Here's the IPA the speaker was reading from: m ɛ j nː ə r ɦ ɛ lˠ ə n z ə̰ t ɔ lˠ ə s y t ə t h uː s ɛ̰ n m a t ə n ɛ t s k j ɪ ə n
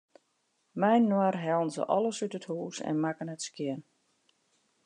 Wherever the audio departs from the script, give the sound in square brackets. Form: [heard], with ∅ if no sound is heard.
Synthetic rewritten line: m ɛ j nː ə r ɦ ɛ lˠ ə n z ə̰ [ʔ] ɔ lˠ ə s y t ə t h uː s ɛ̰ n m a [k] ə n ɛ t s k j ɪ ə n